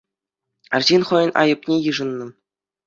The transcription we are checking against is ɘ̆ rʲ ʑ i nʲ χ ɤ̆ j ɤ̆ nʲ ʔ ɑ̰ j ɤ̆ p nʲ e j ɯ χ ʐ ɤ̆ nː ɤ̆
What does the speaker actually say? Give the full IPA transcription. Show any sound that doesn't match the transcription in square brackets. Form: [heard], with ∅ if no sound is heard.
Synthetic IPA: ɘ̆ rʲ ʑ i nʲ χ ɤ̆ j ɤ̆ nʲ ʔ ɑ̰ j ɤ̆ p nʲ e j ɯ [∅] ʐ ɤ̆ nː ɤ̆